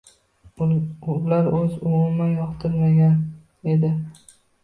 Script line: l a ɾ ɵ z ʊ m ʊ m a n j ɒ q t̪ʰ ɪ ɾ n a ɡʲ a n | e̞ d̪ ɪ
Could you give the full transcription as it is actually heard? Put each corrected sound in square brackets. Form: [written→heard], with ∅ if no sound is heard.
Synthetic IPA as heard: l a ɾ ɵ z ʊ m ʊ m a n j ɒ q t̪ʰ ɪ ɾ [n→m] a ɡʲ a n | e̞ d̪ ɪ

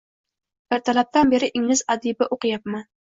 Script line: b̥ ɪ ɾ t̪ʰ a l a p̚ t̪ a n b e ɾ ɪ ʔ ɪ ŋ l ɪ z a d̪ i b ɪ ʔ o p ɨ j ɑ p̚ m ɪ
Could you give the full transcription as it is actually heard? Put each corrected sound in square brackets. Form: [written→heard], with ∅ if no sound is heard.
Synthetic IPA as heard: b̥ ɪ ɾ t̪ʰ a l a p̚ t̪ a n b e ɾ ɪ ʔ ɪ ŋ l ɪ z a d̪ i b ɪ ʔ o [p→q] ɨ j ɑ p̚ m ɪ

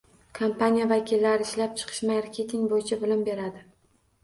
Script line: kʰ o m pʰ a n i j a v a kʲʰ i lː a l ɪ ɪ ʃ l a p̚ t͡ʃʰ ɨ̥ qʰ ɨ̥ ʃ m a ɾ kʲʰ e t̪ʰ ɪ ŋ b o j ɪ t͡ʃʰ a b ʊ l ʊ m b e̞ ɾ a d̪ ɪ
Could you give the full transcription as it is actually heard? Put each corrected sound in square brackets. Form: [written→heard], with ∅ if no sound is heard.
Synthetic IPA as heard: kʰ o m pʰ a n i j a v a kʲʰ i lː a [l→ɾ] ɪ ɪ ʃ l a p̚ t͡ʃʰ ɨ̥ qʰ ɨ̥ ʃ m a ɾ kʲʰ e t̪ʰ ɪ ŋ b o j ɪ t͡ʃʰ a b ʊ l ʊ m b e̞ ɾ a d̪ ɪ

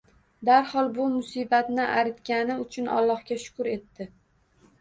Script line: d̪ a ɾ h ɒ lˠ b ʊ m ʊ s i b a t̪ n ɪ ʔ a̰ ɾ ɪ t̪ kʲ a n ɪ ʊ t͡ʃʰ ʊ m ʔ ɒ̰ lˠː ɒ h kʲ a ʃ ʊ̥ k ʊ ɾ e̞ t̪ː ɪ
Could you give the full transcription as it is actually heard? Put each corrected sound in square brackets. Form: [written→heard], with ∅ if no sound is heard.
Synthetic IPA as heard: d̪ a ɾ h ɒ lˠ b ʊ m ʊ s i b a t̪ n ɪ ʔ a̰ ɾ ɪ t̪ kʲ a n ɪ ʊ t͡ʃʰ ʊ [m→n] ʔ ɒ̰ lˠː ɒ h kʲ a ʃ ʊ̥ k ʊ ɾ e̞ t̪ː ɪ

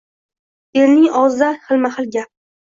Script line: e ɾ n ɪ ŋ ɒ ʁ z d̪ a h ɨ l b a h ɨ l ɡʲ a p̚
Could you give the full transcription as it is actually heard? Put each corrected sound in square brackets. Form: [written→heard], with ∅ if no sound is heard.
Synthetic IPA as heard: e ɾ n ɪ ŋ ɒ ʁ z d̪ a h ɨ l [b→m] a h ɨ l ɡʲ a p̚

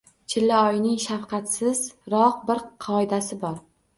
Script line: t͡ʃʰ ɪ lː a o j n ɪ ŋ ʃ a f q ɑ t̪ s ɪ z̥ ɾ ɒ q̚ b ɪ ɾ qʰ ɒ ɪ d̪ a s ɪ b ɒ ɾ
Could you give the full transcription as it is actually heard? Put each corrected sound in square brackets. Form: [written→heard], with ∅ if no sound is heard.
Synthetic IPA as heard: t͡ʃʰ ɪ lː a [o→ɒ] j n ɪ ŋ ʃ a f q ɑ t̪ s ɪ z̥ ɾ ɒ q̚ b ɪ ɾ qʰ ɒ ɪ d̪ a s ɪ b ɒ ɾ

